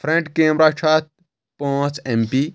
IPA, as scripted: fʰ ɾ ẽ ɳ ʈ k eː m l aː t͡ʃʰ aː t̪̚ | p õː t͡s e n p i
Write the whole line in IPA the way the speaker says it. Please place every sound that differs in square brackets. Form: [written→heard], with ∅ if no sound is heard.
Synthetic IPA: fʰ ɾ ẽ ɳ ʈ k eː m [l→ɾ] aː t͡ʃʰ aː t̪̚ | p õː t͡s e [n→m] p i